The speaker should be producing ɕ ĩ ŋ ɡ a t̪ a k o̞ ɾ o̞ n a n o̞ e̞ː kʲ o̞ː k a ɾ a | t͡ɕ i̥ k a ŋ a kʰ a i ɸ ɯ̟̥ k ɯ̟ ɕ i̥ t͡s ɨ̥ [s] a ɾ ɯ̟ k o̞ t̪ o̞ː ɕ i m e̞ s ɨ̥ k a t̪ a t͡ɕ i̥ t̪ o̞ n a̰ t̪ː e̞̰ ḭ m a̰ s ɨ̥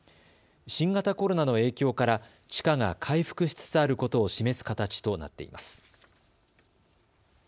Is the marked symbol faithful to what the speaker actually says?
no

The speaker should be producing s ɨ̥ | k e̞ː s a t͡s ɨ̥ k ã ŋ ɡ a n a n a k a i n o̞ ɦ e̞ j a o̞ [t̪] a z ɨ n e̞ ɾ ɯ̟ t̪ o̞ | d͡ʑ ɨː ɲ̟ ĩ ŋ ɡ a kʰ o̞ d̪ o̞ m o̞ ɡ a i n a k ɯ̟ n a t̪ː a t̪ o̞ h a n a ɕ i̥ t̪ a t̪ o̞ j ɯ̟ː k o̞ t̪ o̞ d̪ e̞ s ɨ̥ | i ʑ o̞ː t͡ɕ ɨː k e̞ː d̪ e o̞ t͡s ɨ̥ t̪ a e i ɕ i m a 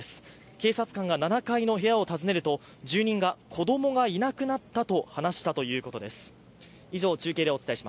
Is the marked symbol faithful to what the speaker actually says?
yes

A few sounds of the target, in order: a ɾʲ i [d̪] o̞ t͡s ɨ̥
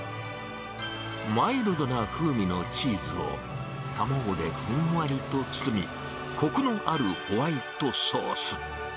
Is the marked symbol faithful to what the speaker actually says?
no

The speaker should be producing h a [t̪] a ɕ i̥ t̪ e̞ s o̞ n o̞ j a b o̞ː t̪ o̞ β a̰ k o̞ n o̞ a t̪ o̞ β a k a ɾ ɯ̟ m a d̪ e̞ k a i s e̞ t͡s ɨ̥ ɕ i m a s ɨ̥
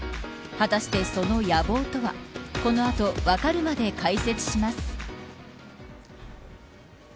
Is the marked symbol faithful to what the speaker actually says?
yes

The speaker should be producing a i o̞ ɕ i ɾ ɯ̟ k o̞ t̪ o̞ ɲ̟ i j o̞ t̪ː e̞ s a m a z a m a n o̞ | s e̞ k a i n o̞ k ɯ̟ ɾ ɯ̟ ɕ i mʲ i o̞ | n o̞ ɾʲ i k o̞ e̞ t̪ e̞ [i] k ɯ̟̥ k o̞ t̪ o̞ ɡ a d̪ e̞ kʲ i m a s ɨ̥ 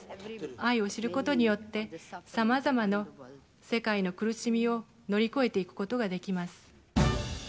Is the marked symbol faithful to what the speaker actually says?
yes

